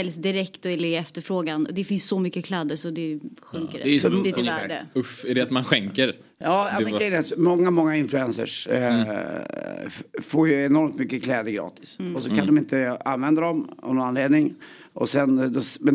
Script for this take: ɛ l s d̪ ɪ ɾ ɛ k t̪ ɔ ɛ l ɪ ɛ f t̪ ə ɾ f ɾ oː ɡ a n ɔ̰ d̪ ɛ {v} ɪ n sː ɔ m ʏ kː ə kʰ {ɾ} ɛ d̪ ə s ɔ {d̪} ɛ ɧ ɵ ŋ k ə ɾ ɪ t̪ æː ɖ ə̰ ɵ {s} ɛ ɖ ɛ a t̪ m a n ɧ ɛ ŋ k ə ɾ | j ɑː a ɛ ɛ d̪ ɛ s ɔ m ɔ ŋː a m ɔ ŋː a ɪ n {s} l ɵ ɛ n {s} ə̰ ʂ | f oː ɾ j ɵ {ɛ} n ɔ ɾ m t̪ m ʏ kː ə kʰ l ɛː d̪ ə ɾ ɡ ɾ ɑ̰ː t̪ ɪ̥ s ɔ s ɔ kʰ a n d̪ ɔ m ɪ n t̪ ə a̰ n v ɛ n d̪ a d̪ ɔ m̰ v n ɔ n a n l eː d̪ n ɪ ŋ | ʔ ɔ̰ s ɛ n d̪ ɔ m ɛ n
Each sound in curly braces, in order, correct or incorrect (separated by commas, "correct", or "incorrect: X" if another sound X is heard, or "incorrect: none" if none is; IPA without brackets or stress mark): incorrect: f, incorrect: l, correct, incorrect: f, incorrect: f, correct, correct